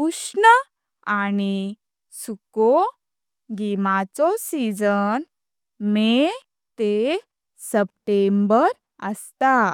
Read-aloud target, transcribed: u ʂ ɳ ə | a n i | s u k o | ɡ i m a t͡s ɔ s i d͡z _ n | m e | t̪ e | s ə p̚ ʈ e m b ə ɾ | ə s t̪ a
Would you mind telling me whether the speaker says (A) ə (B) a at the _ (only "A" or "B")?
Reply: A